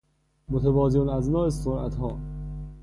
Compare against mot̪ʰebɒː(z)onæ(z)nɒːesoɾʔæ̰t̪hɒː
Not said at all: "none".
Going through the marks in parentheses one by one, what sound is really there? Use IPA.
z, z

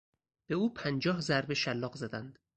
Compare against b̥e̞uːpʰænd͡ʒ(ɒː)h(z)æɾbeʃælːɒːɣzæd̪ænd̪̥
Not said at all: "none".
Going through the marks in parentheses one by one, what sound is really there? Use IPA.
ɒː, z

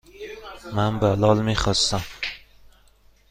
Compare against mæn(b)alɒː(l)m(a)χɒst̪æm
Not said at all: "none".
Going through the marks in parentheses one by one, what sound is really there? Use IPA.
b, l, i

